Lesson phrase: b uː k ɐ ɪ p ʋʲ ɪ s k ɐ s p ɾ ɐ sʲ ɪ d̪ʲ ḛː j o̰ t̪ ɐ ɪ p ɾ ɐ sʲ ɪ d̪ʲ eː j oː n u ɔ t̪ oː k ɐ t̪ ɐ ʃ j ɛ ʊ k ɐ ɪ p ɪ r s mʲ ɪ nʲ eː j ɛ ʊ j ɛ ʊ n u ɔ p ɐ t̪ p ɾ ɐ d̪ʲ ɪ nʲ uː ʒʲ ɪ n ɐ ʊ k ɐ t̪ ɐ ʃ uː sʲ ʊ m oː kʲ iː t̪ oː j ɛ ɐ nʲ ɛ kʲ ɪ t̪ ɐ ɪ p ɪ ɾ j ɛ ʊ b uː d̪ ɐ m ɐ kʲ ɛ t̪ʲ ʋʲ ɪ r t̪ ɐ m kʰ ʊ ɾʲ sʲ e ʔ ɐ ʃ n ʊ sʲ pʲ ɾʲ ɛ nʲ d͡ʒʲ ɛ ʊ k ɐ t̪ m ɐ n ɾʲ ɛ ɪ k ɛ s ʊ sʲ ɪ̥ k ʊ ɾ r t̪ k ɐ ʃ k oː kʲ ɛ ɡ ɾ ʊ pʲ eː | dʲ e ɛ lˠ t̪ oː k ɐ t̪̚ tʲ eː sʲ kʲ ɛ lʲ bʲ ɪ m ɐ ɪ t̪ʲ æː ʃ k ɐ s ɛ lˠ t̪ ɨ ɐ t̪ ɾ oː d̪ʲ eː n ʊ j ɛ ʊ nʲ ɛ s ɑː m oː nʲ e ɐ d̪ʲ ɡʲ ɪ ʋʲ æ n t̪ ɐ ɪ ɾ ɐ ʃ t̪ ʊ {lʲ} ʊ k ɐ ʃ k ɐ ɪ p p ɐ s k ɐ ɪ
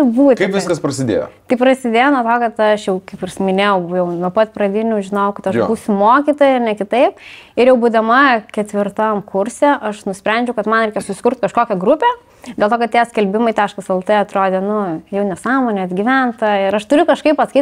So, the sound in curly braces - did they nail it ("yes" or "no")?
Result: no